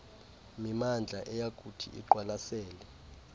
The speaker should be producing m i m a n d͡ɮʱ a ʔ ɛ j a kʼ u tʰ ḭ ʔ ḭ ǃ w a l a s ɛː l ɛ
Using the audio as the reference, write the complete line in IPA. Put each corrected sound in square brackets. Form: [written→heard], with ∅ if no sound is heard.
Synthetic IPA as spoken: m i m a n d͡ɮʱ a ʔ ɛ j a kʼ u tʰ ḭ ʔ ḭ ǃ w a l a s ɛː l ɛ